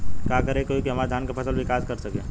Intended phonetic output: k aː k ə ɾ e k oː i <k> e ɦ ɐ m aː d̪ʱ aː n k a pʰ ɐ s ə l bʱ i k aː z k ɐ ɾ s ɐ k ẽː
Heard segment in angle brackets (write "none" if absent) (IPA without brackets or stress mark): k